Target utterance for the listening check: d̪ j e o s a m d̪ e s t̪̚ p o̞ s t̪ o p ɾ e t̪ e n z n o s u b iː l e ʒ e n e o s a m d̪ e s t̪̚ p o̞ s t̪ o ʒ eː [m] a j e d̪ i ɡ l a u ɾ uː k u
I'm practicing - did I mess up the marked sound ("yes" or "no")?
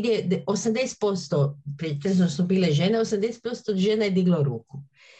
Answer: yes